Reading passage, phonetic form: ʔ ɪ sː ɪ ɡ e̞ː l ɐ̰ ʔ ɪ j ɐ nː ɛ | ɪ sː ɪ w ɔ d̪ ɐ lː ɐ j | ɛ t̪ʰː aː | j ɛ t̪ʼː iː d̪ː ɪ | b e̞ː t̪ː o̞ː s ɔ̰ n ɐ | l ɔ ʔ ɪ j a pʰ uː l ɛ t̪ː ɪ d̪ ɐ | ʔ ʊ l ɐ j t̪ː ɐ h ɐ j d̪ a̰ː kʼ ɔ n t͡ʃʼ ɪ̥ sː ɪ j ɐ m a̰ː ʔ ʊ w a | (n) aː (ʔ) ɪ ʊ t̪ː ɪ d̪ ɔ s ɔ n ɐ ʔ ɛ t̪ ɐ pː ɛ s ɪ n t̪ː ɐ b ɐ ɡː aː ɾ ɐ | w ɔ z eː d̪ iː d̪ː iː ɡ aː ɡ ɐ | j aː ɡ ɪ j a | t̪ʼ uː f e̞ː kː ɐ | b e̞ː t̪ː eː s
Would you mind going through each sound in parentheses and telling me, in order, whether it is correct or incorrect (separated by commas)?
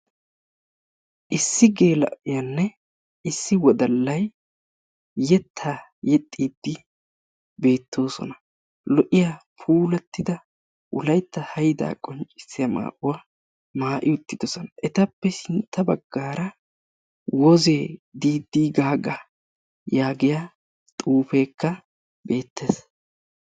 incorrect, correct